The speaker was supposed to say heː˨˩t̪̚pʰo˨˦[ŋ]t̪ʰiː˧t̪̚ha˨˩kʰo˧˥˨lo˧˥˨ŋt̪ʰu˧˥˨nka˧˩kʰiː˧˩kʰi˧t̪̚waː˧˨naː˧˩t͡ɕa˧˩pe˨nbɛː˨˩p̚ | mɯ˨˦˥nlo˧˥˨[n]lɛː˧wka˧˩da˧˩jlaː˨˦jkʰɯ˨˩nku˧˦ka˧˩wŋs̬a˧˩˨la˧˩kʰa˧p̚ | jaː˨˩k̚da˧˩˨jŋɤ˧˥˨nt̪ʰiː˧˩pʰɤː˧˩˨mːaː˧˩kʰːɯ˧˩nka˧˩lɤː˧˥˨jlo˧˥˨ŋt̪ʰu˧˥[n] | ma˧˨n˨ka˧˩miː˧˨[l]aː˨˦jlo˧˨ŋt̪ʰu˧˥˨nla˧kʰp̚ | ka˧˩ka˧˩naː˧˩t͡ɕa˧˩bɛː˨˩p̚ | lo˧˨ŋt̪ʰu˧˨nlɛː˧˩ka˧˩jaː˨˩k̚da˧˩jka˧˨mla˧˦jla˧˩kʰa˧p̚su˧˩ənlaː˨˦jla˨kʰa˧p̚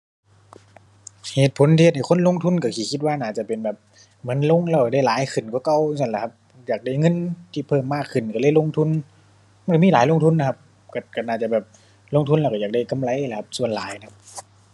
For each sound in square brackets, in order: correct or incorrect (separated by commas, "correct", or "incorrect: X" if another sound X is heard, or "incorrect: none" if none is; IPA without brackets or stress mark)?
incorrect: n, incorrect: ŋ, correct, correct